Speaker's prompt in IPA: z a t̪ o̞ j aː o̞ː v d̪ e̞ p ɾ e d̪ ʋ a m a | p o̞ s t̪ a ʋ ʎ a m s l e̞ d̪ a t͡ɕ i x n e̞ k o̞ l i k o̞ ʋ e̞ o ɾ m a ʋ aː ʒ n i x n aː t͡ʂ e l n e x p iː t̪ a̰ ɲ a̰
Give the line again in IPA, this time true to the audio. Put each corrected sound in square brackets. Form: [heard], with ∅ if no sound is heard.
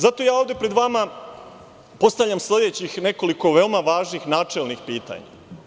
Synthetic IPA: z a t̪ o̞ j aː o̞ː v d̪ e̞ p ɾ e d̪ ʋ a m a | p o̞ s t̪ a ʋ ʎ a m s l e̞ d̪ [e] t͡ɕ i x n e̞ k o̞ l i k o̞ ʋ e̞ o [∅] m a ʋ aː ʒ n i x n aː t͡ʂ e l n [i] x p iː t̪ a̰ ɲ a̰